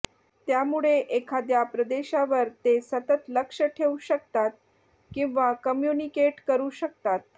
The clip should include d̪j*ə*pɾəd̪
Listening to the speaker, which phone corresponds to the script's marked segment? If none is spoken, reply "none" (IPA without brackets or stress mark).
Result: a